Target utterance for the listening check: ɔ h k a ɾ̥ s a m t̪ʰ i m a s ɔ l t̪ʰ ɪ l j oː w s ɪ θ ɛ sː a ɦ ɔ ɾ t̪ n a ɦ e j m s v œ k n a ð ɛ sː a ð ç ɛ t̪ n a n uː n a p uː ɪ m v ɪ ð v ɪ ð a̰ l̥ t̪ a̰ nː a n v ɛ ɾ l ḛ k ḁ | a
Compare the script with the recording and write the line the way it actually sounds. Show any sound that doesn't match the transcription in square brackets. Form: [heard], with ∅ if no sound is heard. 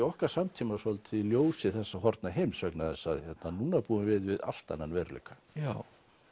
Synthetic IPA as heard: ɔ h k a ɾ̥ s a m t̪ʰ i m a s ɔ l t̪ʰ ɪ l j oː w s ɪ θ ɛ sː a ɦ ɔ ɾ t̪ n a ɦ e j m s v œ k n a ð ɛ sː a ð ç ɛ t̪ n a n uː n a p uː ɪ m v ɪ ð v ɪ ð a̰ l̥ t̪ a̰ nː a n v ɛ ɾ l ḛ k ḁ | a